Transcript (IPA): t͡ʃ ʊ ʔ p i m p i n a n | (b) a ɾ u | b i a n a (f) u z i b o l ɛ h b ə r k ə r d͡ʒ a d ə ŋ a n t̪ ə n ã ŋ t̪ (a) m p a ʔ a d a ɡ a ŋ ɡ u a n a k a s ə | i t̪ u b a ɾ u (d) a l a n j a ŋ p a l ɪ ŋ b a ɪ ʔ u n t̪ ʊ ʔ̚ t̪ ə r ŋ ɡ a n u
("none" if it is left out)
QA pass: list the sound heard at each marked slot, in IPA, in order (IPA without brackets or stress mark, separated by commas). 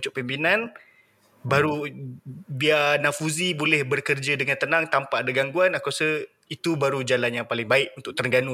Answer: b, f, a, d͡ʒ